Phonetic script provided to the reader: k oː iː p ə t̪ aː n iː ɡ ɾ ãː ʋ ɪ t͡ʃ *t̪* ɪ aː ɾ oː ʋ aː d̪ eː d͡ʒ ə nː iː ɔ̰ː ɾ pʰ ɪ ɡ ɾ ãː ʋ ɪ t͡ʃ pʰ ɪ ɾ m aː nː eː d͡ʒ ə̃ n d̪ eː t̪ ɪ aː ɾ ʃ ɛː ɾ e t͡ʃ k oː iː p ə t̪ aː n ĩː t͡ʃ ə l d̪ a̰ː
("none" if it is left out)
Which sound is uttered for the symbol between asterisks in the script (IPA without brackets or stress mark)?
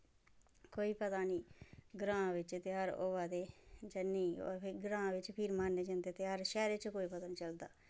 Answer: t̪